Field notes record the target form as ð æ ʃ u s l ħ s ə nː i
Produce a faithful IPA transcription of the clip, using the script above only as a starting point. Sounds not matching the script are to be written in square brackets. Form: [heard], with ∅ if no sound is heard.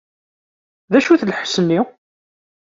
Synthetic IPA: ð æ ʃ u [θ] l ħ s ə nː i